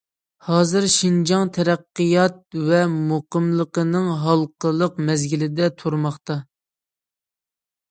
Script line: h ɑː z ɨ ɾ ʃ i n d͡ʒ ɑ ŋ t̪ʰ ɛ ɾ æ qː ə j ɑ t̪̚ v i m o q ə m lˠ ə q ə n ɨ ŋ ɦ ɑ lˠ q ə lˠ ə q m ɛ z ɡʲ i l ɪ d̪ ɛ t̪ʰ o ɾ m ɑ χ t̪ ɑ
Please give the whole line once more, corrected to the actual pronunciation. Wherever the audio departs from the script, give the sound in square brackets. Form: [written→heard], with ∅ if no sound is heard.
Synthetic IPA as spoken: h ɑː z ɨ ɾ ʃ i n d͡ʒ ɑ ŋ t̪ʰ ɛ ɾ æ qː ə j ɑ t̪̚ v [i→ɛ] m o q ə m lˠ ə q ə n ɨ ŋ ɦ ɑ lˠ q ə lˠ ə q m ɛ z ɡʲ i l ɪ d̪ ɛ t̪ʰ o ɾ m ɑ χ t̪ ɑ